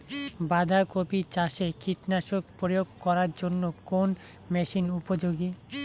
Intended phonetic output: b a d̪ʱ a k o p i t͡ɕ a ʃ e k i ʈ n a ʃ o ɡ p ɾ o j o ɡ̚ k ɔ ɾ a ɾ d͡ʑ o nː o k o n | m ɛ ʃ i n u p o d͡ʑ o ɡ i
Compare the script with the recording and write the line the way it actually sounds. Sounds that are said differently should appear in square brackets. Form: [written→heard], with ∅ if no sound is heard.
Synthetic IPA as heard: b a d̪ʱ a k o p i t͡ɕ a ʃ e k i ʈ n a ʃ o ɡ p ɾ o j o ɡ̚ k ɔ ɾ a ɾ d͡ʑ o nː o k o n | m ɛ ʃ i n u p o d͡ʑ o ɡ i